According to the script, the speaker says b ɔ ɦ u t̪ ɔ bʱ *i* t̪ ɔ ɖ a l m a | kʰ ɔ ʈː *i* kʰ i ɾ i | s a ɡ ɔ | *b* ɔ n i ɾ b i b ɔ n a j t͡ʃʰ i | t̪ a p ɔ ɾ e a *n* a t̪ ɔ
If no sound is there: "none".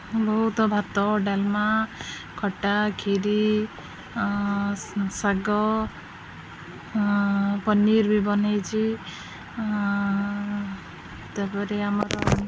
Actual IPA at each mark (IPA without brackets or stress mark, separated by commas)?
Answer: a, a, p, m